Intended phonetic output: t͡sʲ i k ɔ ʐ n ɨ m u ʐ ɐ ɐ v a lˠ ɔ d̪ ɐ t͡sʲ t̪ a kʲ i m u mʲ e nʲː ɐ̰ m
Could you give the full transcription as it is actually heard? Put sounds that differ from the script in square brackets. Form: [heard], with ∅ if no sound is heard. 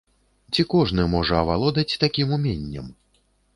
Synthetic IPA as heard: t͡sʲ i k ɔ ʐ n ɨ m [ɔ] ʐ ɐ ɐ v a lˠ ɔ d̪ ɐ t͡sʲ t̪ a kʲ i m u mʲ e nʲː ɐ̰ m